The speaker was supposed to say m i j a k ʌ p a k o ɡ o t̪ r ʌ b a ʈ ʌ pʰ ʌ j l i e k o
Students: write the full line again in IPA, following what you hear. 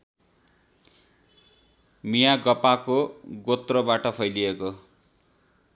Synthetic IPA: m i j a ɡ ʌ p a k o ɡ o t̪ r ʌ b a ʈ ʌ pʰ ʌ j l i e k o